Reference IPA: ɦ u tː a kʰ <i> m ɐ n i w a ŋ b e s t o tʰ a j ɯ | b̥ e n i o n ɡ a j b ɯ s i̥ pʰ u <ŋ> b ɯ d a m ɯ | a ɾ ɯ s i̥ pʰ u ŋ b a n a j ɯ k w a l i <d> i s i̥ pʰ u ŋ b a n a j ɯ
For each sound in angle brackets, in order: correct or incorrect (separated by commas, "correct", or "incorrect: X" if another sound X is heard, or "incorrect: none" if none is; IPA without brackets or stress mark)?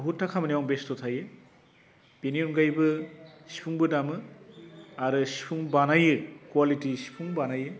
incorrect: a, correct, incorrect: t